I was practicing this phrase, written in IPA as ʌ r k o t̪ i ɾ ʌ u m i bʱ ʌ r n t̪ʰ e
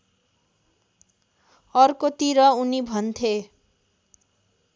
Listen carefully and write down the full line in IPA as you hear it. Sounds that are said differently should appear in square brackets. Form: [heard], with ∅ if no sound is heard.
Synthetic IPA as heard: ʌ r k o t̪ i ɾ ʌ u [n] i bʱ ʌ [∅] n t̪ʰ e

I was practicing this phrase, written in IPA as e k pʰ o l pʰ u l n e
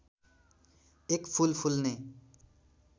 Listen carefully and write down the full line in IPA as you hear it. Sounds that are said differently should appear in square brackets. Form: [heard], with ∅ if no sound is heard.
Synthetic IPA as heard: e k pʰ [u] l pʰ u l n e

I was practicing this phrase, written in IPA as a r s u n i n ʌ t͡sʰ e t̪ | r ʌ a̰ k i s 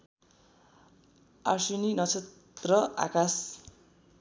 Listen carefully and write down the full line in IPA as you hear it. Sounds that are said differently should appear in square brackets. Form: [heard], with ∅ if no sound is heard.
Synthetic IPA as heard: a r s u n i n ʌ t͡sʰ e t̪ | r ʌ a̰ k [a] s

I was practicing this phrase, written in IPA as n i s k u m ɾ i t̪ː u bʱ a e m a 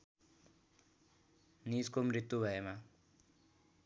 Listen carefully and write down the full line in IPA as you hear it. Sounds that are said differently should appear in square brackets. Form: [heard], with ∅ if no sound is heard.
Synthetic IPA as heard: n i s k [o] m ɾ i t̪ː u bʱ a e m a

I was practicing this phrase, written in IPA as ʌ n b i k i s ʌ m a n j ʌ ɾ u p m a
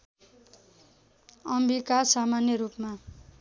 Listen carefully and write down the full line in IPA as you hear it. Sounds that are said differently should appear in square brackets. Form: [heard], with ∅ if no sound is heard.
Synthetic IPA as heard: ʌ [m] b i k [a] s [a] m a n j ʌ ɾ u p m a

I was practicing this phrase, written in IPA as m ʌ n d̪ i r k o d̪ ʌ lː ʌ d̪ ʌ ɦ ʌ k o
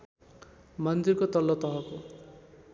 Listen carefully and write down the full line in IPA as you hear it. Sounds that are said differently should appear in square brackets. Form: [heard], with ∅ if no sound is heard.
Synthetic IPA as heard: m ʌ n d̪ i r k o [t̪] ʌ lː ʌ [t̪] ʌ ɦ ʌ k o

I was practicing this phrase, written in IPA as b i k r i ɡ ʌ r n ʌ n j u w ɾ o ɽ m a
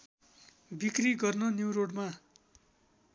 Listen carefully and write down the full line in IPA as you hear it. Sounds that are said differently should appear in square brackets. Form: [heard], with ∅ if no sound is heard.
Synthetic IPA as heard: b i k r i ɡ ʌ r n ʌ n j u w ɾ o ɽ m a

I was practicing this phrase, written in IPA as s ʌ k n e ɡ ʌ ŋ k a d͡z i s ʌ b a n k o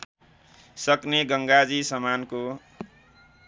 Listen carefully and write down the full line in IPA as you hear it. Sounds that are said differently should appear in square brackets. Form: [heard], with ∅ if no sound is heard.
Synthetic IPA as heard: s ʌ k n e ɡ ʌ ŋ [ɡ] a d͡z i s ʌ [m] a n k o

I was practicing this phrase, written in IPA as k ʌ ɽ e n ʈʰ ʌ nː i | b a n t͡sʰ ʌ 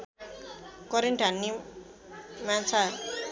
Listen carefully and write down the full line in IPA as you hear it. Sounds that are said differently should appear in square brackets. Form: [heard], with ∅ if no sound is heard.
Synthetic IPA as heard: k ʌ [ɾ] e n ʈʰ [a] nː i | [m] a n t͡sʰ [a]

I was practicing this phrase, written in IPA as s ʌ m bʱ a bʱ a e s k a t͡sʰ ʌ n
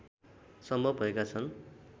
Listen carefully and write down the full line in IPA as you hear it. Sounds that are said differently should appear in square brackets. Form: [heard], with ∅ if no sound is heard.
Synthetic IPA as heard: s ʌ m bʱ [ʌ] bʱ [ʌ] e [∅] k a t͡sʰ ʌ n

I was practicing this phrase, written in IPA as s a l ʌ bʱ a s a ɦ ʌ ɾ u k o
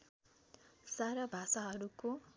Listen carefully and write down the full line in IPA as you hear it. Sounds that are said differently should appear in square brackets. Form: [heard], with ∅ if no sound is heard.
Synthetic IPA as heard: s a [ɾ] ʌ bʱ a s a ɦ ʌ ɾ u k o

